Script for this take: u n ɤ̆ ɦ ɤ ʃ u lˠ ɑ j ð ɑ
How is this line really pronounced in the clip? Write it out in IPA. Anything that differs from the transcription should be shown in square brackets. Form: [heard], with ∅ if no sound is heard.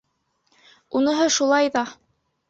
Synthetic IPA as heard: u n ɤ̆ ɦ ɤ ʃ u lˠ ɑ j ð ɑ